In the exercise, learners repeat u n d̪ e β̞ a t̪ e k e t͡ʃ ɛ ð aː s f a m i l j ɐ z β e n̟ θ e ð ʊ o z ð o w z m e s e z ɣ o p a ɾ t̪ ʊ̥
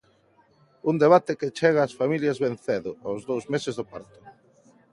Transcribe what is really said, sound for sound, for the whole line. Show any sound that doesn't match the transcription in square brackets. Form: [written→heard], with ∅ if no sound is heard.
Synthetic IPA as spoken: u n d̪ e β̞ a t̪ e k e t͡ʃ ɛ [ð→ɣ] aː s f a m i l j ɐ z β e n̟ θ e ð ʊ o z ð o w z m e s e z [ɣ→ð] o p a ɾ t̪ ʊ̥